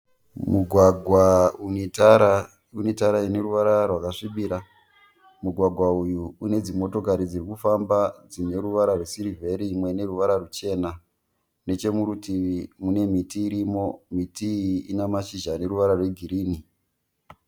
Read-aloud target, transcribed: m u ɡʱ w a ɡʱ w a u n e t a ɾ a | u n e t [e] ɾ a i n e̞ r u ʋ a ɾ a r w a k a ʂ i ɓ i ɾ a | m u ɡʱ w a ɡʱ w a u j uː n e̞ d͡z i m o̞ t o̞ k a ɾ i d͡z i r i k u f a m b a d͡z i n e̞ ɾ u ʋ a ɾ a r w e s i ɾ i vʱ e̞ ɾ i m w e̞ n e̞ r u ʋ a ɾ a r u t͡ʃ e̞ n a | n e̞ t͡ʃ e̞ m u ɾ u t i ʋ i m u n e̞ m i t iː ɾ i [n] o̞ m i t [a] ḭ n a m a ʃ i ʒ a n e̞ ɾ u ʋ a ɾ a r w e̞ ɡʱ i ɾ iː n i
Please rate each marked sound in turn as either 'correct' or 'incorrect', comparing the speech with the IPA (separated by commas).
incorrect, incorrect, incorrect